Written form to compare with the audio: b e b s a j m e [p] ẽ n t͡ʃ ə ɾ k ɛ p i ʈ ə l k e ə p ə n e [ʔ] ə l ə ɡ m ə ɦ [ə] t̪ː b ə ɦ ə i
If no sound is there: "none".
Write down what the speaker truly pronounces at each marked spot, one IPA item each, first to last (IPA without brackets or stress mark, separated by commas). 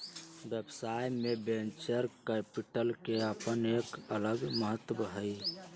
b, k, ə